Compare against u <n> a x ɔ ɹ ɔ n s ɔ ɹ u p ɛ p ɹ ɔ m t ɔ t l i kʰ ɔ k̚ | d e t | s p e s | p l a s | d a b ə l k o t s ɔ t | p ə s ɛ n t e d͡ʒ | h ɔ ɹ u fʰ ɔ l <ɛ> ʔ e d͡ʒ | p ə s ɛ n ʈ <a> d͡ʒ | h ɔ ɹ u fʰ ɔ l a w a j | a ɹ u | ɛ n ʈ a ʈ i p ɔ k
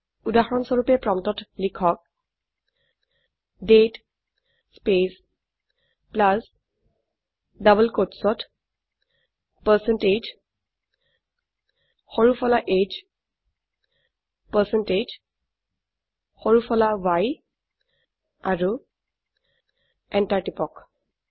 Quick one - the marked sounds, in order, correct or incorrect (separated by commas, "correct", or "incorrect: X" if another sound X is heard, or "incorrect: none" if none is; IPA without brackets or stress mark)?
incorrect: d, incorrect: a, incorrect: e